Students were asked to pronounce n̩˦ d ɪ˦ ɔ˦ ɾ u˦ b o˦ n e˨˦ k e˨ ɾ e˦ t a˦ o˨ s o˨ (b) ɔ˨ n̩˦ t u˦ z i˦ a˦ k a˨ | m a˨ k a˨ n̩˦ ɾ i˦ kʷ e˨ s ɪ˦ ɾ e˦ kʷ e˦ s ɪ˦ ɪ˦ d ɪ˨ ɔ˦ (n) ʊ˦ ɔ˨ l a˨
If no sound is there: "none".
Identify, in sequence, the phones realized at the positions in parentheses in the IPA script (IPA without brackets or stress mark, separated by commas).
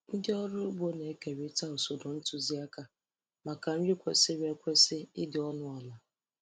d, n